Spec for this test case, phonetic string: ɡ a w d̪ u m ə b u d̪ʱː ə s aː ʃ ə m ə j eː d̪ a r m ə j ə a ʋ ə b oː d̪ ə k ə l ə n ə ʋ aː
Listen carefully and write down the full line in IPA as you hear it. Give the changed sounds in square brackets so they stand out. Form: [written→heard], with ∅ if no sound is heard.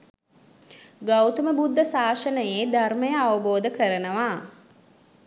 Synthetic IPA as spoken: ɡ a w [d̪→t̪] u m ə b u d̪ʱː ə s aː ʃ ə [m→n] ə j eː d̪ a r m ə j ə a ʋ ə b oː d̪ ə k ə [l→ɾ] ə n ə ʋ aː